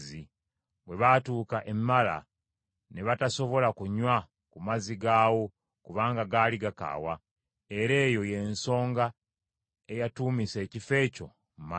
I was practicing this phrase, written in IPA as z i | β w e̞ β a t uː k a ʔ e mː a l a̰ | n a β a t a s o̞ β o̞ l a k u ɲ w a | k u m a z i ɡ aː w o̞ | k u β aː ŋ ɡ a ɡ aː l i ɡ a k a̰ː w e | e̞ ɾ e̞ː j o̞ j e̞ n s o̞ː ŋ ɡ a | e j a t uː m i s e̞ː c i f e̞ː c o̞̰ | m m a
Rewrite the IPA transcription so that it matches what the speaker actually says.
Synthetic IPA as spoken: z i | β w e̞ β a t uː k a ʔ e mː a l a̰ | n e β a t a s o̞ β o̞ l a k u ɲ w a | k u m a z i ɡ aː w o̞ | k u β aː ŋ ɡ a ɡ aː l i ɡ a k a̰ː w a | e̞ ɾ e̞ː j o̞ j e̞ n s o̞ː ŋ ɡ a | e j a t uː m i s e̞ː c i f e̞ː c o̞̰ | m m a